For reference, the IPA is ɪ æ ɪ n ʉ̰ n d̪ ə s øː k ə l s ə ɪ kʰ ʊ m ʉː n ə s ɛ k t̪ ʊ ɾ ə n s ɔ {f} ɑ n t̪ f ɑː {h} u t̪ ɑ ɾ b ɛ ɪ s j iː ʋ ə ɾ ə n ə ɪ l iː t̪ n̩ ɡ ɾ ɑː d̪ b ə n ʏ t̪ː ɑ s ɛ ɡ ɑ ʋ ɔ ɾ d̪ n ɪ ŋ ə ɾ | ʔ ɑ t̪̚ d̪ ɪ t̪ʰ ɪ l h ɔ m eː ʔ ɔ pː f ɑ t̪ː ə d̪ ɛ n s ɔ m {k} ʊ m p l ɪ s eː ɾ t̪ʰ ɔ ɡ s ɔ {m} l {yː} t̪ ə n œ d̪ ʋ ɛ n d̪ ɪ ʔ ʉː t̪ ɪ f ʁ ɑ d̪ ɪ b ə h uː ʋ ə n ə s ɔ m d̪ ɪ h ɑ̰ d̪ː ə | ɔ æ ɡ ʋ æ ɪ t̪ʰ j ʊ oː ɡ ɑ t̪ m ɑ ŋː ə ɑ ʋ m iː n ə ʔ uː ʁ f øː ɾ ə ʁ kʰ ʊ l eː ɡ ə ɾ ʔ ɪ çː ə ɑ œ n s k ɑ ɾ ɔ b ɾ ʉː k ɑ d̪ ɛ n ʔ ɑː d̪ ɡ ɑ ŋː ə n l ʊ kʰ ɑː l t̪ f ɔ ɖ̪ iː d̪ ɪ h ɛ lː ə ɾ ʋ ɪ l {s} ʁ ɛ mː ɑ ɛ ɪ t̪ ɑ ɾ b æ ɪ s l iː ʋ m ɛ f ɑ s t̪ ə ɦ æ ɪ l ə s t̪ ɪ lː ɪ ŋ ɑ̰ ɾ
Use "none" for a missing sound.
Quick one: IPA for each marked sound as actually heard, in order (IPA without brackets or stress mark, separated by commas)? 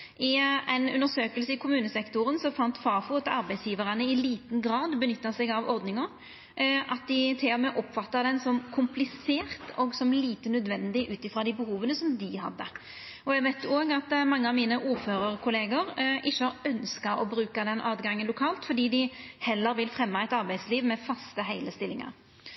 f, f, kʰ, m, iː, f